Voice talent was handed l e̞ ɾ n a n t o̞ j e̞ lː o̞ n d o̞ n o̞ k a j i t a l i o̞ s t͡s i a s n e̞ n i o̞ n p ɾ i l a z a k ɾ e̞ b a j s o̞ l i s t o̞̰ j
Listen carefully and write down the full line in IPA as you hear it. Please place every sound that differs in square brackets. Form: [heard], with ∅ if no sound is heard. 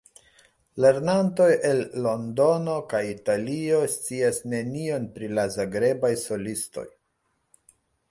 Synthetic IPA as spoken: l e̞ ɾ n a n t o̞ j e̞ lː o̞ n d o̞ n o̞ k a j i t a l i o̞ s t͡s i a s n e̞ n i o̞ n p ɾ i l a z a [ɡ] ɾ e̞ b a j s o̞ l i s t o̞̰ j